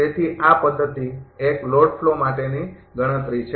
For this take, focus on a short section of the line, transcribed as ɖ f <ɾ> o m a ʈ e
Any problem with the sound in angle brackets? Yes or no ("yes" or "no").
yes